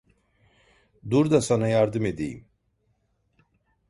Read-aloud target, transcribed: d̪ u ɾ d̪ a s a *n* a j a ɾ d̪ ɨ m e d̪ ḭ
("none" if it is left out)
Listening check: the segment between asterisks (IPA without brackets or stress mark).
n